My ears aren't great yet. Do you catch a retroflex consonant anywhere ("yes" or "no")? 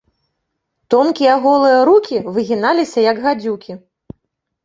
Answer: no